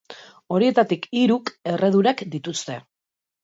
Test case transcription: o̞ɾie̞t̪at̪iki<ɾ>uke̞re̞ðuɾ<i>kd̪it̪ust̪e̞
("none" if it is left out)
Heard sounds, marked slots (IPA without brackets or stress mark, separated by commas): ɾ, a